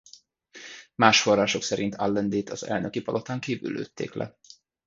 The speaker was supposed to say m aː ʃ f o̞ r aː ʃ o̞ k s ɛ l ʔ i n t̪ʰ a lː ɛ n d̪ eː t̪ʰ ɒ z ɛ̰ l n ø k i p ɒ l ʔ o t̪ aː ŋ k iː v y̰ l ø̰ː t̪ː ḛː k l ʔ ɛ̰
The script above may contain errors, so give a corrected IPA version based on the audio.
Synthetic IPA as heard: m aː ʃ f o̞ r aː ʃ o̞ k s ɛ ɾ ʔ i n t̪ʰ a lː ɛ n d̪ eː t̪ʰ ɒ z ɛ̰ l n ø k i p ɒ l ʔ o t̪ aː ŋ k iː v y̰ l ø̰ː t̪ː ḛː k l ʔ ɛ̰